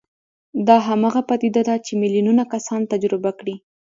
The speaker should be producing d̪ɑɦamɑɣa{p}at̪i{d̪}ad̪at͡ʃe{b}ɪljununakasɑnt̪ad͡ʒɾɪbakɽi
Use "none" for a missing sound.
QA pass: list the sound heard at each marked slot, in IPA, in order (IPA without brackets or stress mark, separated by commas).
p, d̪, m